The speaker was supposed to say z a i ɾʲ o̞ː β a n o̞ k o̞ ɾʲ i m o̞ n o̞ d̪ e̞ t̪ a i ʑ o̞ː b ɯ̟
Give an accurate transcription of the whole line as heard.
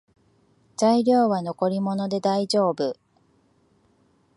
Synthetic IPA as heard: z a i ɾʲ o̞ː β a n o̞ k o̞ ɾʲ i m o̞ n o̞ d̪ e̞ d̪ a i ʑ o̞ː b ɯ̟